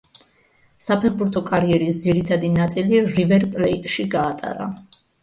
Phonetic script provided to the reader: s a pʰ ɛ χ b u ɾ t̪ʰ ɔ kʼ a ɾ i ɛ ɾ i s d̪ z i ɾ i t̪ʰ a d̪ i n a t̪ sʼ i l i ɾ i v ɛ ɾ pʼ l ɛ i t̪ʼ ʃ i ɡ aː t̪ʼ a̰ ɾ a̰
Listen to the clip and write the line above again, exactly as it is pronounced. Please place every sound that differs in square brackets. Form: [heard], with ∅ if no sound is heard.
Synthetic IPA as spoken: s a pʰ ɛ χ b u ɾ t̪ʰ ɔ kʼ a ɾ i ɛ ɾ i s d̪ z i ɾ i t̪ʰ a d̪ i n a t̪ sʼ i l i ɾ i v ɛ ɾ pʼ l ɛ i t̪ʼ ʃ i ɡ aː t̪ʼ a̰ ɾ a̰